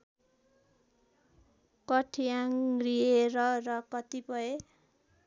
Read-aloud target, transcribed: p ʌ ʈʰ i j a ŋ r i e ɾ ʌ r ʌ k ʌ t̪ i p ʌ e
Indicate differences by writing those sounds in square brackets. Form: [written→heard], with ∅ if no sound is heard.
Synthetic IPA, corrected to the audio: [p→k] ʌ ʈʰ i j a ŋ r i e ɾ ʌ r ʌ k ʌ t̪ i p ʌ e